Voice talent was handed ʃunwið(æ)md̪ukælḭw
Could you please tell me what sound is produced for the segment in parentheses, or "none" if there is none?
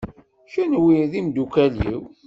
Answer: i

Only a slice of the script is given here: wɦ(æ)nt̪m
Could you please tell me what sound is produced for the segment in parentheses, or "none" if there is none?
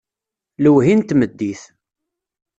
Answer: i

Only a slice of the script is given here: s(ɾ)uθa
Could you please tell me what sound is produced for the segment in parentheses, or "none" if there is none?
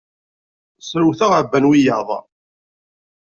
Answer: ɾ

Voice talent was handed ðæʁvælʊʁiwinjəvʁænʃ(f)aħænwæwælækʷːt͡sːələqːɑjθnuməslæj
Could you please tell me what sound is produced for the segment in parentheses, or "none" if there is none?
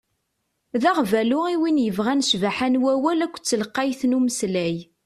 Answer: v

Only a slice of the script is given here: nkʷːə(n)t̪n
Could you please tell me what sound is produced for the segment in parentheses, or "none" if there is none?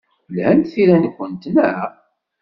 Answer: n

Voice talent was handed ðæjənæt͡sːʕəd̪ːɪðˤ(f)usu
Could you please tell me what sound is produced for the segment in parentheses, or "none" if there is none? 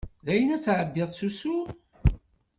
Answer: s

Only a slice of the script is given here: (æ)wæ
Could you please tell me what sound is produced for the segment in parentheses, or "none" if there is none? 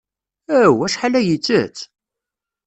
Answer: æ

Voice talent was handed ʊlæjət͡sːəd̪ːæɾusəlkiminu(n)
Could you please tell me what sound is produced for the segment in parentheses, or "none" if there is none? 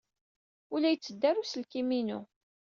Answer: none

